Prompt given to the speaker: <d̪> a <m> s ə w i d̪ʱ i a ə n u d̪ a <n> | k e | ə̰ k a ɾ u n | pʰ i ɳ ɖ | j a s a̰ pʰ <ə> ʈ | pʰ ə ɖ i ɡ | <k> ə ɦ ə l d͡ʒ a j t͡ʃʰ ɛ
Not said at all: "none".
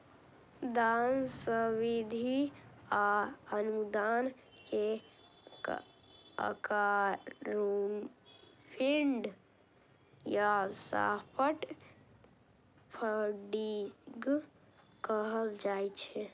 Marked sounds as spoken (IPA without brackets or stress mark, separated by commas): d̪, n, n, ə, k